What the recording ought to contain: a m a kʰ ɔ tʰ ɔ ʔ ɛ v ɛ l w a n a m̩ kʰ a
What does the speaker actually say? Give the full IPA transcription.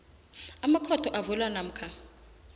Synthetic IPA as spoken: a m a kʰ ɔ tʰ ɔ ʔ a v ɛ l w a n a m̩ kʰ a